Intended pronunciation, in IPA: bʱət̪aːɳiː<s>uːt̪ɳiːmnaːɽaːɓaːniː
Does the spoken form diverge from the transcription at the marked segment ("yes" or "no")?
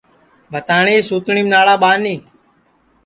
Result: no